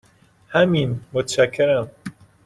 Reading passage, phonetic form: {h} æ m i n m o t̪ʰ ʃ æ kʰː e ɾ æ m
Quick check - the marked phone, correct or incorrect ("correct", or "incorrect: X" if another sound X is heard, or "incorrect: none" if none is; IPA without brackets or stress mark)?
correct